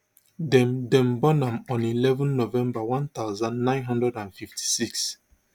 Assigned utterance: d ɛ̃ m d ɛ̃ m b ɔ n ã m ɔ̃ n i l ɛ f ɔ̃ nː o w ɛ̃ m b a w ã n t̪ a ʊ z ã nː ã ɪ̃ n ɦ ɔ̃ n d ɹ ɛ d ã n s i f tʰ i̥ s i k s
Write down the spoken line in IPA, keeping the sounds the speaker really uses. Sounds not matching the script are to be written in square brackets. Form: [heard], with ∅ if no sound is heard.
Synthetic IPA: d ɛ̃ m d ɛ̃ m b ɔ n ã m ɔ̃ n i l ɛ [v] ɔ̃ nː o [v] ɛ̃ m b a w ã n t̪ a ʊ z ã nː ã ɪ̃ n ɦ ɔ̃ n d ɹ ɛ d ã n [f] i f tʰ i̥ s i k s